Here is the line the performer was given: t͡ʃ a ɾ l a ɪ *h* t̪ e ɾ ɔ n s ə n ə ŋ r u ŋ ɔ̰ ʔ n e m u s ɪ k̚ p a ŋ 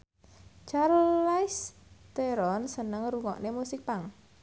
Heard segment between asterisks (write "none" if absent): s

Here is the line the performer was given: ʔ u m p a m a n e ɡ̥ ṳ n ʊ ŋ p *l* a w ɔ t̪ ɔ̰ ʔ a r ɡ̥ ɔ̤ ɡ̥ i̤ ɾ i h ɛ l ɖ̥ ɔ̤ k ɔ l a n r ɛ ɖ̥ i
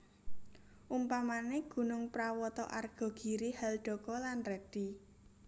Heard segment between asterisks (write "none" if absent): ɾ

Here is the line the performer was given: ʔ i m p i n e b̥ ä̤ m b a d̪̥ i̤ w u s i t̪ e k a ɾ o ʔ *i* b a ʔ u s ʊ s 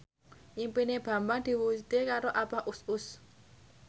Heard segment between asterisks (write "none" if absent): a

